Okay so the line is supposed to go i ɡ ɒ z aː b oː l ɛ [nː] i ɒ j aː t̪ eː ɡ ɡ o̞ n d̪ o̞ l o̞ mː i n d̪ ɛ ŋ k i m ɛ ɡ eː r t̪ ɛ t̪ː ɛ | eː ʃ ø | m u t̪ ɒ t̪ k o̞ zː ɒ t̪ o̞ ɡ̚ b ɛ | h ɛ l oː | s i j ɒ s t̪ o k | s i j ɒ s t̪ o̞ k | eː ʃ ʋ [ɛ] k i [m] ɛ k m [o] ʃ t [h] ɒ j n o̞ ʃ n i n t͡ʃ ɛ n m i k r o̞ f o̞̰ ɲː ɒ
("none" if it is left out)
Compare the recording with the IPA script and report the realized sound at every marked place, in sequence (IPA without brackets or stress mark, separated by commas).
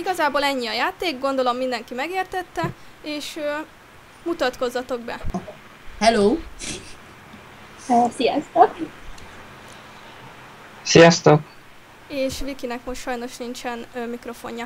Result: ɲː, i, n, o, ʃ